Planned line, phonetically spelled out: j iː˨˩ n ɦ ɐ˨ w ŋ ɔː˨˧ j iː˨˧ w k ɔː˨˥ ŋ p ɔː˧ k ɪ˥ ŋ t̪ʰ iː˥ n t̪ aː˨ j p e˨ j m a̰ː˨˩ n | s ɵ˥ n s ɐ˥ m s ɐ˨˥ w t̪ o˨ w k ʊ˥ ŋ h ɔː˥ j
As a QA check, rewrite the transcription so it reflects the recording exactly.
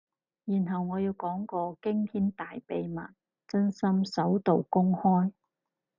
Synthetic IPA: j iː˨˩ n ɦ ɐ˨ w ŋ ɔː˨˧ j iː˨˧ w k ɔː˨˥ ŋ k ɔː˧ k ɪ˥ ŋ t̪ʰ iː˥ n t̪ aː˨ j p e˨ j m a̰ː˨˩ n | t͡s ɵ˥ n s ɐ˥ m s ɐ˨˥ w t̪ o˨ w k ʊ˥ ŋ h ɔː˥ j

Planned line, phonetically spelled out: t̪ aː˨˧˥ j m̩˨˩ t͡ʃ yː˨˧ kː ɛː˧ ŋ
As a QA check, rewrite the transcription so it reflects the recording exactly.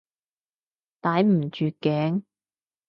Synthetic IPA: t̪ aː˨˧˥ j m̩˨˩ t͡ʃ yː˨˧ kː ɛː˨˥ ŋ

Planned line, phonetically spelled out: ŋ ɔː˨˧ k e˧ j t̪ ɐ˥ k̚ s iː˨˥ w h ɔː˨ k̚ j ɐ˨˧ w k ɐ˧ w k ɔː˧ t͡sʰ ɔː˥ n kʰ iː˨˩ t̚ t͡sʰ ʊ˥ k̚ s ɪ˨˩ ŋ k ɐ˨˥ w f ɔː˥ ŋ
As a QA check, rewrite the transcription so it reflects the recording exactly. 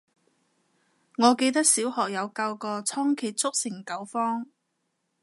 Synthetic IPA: ŋ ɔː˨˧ k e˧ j t̪ ɐ˥ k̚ s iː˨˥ w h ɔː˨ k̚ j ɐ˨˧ w k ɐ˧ w k ɔː˧ t͡sʰ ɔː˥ ŋ kʰ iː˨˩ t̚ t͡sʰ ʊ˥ k̚ s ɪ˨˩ ŋ k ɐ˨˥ w f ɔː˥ ŋ

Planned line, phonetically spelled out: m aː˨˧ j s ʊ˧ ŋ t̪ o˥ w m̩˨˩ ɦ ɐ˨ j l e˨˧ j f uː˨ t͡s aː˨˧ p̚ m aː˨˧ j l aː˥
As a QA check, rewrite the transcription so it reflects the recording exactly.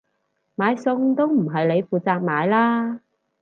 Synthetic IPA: m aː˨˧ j s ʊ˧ ŋ t̪ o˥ w m̩˨˩ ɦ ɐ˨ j l e˨˧ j f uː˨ t͡s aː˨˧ k̚ m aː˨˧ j l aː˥

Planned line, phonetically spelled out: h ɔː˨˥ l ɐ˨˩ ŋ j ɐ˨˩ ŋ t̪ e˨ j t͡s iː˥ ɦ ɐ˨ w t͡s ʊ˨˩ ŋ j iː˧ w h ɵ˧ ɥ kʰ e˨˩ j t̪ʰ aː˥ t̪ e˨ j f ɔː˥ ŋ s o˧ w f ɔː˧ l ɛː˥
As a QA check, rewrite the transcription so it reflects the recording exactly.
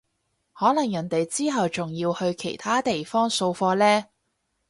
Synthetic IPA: h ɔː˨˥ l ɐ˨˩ ŋ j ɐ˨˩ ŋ t̪ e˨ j t͡s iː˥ ɦ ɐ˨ w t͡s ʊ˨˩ ŋ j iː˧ w h ɵ˧ ɥ kʰ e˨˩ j t̪ʰ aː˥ t̪ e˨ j f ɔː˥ ŋ s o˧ w f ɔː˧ l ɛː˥

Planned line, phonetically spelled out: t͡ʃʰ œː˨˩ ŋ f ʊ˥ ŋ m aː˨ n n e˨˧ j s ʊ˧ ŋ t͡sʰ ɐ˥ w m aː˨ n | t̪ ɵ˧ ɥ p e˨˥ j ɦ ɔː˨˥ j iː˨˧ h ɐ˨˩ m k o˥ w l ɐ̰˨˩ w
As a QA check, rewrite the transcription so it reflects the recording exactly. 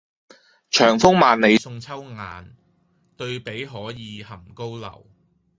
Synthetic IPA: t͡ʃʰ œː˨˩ ŋ f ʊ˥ ŋ m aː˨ n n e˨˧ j s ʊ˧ ŋ t͡sʰ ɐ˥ w ŋ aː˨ n | t̪ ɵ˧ ɥ p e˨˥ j ɦ ɔː˨˥ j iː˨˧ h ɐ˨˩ m k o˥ w l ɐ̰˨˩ w

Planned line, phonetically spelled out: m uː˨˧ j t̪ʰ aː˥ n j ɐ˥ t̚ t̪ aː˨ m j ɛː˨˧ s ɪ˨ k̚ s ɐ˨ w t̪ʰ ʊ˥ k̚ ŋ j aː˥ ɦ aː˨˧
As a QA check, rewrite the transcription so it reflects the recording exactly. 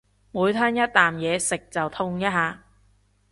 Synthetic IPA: m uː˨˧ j t̪ʰ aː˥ n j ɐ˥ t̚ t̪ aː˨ m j ɛː˨˧ s ɪ˨ k̚ t͡s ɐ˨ w t̪ʰ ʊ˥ ŋ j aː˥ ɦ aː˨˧

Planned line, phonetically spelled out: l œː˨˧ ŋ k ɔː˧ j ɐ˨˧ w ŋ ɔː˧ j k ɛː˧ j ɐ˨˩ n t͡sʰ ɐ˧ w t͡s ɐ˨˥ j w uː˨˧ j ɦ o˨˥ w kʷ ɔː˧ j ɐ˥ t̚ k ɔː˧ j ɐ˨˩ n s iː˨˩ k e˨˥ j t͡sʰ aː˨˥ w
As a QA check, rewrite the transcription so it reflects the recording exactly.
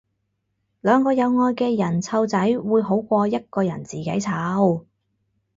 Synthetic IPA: l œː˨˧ ŋ k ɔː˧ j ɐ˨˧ w ŋ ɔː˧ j k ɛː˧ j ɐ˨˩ n t͡sʰ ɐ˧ w t͡s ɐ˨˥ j w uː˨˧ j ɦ o˨˥ w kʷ ɔː˧ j ɐ˥ t̚ k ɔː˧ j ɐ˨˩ n t͡s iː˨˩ k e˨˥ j t͡sʰ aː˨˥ w

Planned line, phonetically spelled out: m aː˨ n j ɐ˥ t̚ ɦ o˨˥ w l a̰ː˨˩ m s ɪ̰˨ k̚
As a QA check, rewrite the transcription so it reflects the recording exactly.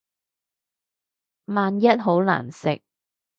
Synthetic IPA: m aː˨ n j ɐ˥ t̚ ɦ o˨˥ w l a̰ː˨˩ n s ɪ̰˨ k̚

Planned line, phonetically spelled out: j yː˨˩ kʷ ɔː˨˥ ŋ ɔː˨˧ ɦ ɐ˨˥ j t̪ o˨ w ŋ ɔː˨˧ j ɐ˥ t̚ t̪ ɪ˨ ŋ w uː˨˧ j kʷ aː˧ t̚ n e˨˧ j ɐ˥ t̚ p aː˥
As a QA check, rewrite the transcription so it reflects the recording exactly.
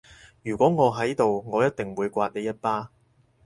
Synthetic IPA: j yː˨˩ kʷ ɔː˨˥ ŋ ɔː˨˧ ɦ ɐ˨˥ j t̪ o˨ w ŋ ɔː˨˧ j ɐ˥ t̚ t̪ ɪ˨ ŋ w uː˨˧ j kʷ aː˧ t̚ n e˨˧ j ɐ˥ t̚ p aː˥

